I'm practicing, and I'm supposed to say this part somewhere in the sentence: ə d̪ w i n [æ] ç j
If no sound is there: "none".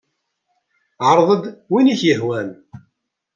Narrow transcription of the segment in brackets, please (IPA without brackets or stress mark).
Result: i